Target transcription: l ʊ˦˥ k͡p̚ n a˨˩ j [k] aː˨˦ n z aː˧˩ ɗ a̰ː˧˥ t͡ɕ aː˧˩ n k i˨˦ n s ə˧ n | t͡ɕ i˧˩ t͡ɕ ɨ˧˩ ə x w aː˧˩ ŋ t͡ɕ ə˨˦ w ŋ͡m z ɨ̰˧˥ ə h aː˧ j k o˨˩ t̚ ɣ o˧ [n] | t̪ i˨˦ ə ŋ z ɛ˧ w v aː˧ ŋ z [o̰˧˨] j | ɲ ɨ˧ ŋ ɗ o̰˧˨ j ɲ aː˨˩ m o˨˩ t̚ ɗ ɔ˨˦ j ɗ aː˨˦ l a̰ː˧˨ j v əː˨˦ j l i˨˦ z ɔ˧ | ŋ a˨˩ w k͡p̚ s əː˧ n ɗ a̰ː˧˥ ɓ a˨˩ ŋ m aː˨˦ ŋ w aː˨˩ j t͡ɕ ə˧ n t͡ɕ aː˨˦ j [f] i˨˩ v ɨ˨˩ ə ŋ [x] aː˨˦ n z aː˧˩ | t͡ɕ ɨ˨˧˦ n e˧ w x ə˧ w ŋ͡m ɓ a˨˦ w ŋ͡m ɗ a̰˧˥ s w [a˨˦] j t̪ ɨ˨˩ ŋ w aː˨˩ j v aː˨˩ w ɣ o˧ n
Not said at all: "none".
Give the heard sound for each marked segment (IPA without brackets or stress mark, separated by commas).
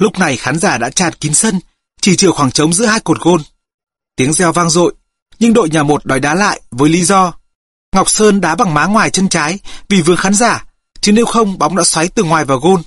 x, n, o̰˧˨, v, x, a˨˦